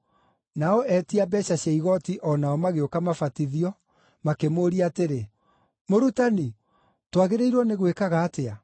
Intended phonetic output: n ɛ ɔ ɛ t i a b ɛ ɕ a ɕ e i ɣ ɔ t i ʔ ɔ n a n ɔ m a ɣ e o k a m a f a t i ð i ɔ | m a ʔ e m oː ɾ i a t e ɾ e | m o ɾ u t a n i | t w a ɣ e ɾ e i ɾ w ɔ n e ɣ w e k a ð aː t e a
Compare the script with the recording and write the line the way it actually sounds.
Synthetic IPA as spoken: n a ɔ ɛ t i a b ɛ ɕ a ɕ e i ɣ ɔ t i ʔ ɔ n a ɔ m a ɣ e o k a m a f a t i ð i ɔ | m a k e m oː ɾ i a t e ɾ e | m o ɾ u t a n i | t w a ɣ e ɾ e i ɾ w ɔ n e ɣ w e k a ɣ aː t e a